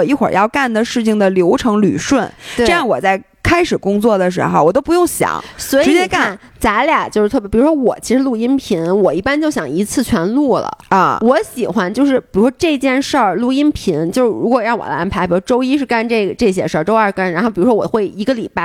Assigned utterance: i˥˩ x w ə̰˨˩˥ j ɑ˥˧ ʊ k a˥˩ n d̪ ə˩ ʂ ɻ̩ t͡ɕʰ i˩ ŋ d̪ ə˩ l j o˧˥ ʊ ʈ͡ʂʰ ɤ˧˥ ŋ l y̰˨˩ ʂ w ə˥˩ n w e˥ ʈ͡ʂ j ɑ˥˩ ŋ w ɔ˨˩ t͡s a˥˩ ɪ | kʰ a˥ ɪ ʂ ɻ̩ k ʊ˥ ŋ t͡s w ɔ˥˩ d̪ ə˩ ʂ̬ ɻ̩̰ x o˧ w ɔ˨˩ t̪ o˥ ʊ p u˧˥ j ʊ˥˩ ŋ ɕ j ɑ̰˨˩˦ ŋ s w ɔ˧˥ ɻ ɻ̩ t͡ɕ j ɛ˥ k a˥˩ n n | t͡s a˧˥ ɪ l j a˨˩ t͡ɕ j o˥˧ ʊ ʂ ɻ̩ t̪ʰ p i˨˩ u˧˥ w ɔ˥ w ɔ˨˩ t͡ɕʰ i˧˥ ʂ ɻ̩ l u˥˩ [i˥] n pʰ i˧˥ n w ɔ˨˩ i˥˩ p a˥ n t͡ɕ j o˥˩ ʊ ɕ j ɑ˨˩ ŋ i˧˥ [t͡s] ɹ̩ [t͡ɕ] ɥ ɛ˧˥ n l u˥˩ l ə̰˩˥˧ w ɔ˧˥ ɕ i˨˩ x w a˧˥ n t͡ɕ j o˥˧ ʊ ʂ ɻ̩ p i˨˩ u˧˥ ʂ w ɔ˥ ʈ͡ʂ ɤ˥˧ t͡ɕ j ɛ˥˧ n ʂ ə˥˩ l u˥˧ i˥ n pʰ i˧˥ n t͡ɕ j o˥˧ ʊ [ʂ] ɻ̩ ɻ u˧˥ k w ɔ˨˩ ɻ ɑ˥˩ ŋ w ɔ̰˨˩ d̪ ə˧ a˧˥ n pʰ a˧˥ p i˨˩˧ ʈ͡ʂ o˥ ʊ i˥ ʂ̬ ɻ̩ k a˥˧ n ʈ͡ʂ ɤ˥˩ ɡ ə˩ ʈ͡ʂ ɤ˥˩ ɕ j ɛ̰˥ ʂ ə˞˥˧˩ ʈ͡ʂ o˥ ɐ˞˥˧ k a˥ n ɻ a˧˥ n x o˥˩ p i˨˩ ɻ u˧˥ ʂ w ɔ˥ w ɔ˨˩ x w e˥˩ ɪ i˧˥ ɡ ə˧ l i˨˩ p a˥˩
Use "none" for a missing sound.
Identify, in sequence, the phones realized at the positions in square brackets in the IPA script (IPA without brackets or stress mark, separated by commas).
i˥, t͡sʰ, t͡ɕʰ, ʂ